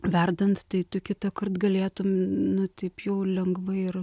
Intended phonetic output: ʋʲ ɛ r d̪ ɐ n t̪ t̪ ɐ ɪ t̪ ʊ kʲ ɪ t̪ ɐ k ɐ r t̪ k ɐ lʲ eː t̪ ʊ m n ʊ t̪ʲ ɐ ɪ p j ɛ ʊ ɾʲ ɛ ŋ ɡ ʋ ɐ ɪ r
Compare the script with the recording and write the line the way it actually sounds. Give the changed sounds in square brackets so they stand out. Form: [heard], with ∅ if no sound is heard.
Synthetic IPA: ʋʲ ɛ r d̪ ɐ n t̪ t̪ ɐ ɪ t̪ ʊ kʲ ɪ t̪ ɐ k ɐ r t̪ [ɡ] ɐ lʲ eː t̪ ʊ m n ʊ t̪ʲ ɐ ɪ p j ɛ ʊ [lʲ] ɛ ŋ ɡ ʋ ɐ ɪ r